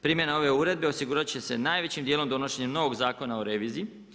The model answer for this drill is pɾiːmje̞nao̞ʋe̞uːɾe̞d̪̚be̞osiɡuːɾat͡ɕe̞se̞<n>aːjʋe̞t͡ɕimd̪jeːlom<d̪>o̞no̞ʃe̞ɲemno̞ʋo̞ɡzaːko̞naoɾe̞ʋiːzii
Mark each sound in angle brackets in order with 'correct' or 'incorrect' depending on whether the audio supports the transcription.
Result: correct, correct

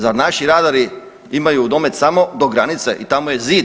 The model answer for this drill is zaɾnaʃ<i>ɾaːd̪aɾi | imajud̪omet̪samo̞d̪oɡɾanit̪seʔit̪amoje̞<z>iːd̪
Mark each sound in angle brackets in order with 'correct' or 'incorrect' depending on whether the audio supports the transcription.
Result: correct, correct

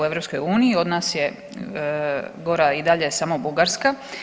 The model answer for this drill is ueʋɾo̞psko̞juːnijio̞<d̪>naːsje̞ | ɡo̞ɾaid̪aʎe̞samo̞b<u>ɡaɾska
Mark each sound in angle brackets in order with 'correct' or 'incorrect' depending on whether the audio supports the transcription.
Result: correct, correct

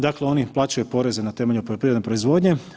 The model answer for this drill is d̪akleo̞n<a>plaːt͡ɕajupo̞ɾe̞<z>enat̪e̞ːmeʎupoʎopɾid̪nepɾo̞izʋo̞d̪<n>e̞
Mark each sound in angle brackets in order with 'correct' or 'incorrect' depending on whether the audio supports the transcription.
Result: incorrect, correct, incorrect

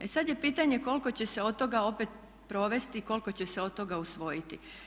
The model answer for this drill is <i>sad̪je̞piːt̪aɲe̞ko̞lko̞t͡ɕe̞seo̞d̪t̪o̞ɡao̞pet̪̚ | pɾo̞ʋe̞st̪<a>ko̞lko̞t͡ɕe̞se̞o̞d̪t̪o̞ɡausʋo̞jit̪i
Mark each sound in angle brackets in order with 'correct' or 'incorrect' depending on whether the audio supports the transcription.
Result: incorrect, incorrect

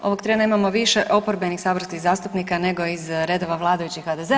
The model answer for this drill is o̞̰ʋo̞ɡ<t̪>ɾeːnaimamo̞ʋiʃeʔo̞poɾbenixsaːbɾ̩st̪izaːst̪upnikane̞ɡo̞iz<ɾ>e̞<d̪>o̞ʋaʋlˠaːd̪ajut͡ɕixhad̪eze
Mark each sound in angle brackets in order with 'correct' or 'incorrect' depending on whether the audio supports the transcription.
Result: correct, correct, correct

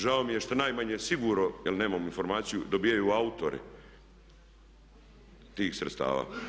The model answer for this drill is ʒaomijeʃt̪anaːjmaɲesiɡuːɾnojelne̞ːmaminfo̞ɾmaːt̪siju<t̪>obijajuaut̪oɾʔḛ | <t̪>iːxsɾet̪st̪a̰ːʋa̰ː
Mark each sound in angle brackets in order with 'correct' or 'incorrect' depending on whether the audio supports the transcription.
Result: incorrect, correct

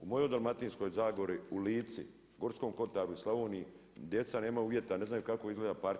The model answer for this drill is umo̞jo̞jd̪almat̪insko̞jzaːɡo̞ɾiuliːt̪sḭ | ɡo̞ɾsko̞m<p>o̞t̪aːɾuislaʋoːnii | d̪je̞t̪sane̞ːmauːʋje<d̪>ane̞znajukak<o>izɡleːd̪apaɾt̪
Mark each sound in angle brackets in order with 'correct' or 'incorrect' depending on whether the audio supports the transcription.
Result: incorrect, incorrect, correct

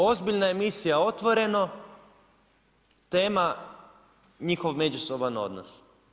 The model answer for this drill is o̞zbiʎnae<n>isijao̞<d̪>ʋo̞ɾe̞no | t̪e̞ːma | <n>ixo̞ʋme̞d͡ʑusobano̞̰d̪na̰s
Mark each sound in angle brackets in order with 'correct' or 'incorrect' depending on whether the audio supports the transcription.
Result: incorrect, incorrect, incorrect

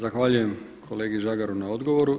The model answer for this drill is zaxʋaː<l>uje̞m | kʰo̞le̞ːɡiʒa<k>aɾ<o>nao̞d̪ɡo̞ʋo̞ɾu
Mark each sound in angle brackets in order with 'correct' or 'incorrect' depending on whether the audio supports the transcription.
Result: incorrect, incorrect, incorrect

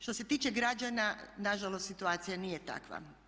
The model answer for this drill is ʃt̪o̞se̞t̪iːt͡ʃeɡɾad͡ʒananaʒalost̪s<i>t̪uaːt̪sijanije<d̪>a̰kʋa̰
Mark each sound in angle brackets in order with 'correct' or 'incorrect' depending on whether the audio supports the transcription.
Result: correct, incorrect

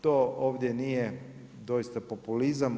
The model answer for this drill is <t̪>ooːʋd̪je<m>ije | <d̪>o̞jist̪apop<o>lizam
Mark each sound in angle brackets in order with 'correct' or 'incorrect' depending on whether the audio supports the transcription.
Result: correct, incorrect, correct, incorrect

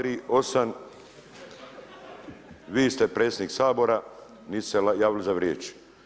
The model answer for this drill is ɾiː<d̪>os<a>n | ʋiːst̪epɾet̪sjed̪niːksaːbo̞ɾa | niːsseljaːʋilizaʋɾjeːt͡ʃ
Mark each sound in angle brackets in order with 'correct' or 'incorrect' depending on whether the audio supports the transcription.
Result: incorrect, correct

